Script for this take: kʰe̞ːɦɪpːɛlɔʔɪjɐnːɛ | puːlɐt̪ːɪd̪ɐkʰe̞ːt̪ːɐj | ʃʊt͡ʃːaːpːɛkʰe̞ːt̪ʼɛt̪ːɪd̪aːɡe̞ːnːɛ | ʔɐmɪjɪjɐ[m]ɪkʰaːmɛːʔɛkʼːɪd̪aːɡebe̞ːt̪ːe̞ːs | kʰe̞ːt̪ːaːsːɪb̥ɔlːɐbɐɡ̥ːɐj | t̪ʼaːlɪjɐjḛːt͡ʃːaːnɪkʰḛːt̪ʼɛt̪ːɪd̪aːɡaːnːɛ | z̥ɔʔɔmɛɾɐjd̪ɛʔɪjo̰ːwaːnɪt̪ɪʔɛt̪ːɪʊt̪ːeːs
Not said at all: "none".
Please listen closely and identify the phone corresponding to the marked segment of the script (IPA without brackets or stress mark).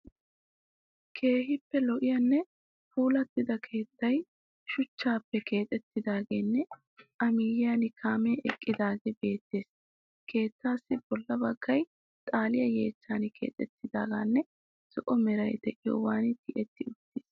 n